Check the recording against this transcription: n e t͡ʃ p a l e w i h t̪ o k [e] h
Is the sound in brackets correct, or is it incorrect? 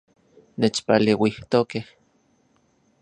correct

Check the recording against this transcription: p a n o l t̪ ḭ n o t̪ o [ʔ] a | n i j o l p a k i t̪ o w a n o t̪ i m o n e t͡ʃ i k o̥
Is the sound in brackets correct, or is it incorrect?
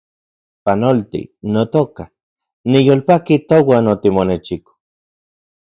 incorrect: k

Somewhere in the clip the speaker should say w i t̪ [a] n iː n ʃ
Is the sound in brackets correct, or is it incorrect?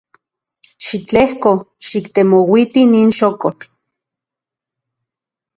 incorrect: i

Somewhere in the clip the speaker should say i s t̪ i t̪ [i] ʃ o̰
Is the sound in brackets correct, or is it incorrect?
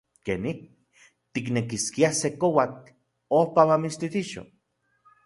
correct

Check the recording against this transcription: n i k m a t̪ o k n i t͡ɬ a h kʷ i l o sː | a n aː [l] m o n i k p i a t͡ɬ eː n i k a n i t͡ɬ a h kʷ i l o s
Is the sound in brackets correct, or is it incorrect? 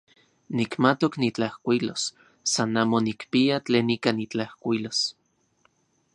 incorrect: none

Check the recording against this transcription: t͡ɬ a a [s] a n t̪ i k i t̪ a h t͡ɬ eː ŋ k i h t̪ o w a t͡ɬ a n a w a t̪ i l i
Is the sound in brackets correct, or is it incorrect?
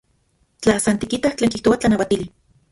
correct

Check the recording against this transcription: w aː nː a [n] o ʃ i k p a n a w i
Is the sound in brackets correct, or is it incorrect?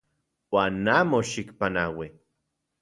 incorrect: m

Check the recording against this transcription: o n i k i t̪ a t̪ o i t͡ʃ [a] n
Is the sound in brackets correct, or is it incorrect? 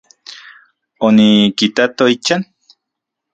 correct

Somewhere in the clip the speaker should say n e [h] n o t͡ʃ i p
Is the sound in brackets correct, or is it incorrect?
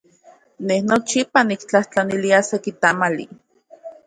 correct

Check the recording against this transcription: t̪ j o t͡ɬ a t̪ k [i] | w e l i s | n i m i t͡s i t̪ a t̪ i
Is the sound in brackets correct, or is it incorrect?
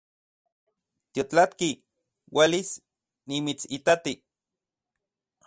correct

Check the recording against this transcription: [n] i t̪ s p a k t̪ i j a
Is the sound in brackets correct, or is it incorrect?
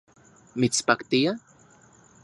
incorrect: m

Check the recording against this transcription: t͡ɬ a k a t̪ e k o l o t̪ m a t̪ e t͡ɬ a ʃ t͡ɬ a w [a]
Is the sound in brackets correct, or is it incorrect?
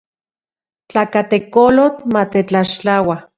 correct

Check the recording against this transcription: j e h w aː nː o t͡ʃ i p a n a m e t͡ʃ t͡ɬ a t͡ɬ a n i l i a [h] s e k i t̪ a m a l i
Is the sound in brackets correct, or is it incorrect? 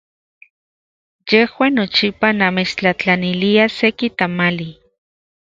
incorrect: none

